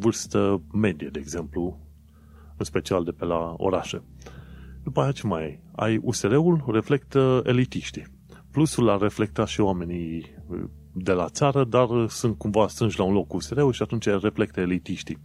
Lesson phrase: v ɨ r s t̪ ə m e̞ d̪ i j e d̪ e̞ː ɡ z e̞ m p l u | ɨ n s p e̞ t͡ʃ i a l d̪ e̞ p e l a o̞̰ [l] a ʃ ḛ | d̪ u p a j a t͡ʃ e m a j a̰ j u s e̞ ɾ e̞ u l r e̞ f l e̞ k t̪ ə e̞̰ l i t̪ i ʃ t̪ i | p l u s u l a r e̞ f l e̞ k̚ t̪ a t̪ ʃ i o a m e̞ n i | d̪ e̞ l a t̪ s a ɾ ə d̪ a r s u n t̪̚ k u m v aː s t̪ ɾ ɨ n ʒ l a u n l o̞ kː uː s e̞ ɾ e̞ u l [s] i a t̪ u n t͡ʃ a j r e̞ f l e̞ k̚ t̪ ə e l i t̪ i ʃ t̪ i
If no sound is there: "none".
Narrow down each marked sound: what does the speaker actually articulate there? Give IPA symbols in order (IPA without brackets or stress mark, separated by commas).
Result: ɾ, ʃ